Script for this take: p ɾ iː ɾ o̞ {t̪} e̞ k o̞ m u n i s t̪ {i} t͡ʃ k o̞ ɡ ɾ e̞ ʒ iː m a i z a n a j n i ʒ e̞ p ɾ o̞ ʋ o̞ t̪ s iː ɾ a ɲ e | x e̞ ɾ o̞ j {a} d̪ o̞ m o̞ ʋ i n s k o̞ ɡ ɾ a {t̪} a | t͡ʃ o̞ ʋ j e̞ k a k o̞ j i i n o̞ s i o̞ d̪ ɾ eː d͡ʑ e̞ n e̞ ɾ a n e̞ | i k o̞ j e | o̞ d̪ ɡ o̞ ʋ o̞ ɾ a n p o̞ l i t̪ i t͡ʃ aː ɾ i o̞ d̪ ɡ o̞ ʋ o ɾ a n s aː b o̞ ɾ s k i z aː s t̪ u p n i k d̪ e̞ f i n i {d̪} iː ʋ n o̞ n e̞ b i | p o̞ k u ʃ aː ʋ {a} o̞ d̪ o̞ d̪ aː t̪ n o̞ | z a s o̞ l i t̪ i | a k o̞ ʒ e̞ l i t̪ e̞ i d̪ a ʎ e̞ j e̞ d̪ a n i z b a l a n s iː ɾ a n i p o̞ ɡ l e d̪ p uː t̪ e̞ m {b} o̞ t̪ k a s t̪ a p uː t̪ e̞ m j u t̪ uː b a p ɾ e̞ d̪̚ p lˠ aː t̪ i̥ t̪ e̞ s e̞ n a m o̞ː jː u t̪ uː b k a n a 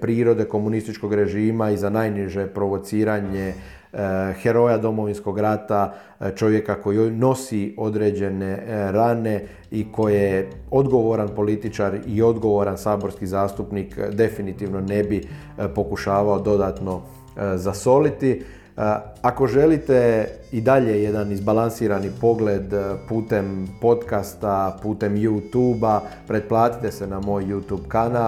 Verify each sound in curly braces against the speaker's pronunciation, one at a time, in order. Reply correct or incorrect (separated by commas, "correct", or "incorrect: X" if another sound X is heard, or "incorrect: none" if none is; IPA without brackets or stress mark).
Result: incorrect: d̪, correct, correct, correct, incorrect: t̪, correct, incorrect: p